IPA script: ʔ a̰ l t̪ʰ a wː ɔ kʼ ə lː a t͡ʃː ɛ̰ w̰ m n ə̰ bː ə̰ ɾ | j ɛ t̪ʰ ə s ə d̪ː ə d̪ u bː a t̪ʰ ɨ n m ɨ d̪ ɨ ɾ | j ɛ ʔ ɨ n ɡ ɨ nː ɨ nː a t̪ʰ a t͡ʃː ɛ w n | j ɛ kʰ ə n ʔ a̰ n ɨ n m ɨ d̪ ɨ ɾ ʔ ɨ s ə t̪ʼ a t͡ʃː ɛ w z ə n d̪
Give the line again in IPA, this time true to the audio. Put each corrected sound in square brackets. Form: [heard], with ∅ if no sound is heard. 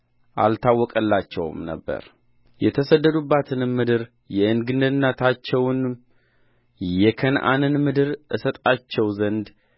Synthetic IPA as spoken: ʔ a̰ l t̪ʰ a wː ɔ kʼ ə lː a t͡ʃː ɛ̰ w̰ m n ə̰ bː ə̰ ɾ | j ɛ t̪ʰ ə s ə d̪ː ə d̪ u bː a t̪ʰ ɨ n m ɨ d̪ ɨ ɾ | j ɛ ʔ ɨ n ɡ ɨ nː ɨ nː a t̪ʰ a t͡ʃː ɛ w n | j ɛ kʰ ə n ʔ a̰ n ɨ n m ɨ d̪ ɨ ɾ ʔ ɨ s ə t̪ʼ a t͡ʃː ɛ w z ə n d̪